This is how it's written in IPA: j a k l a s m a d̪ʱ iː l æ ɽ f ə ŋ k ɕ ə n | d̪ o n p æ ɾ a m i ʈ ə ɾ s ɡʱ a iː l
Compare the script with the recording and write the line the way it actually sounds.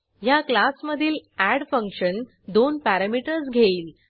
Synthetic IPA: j a k l a s m ə d̪ʱ iː l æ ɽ f ə ŋ k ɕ ə n | d̪ o n p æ ɾ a m i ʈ ə ɾ s ɡʱ e iː l